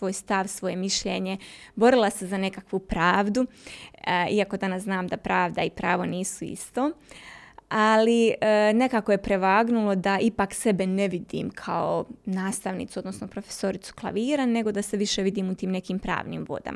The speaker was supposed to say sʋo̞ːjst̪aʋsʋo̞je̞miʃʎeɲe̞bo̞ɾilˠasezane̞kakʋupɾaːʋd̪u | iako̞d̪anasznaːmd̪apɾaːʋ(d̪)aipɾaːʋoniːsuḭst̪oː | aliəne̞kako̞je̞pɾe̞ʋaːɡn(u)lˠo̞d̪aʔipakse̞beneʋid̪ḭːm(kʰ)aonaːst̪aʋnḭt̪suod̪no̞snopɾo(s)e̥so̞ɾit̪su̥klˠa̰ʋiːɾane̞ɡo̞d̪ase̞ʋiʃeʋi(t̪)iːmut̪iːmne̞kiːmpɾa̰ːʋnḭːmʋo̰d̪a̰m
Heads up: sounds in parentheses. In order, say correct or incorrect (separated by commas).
correct, correct, correct, incorrect, incorrect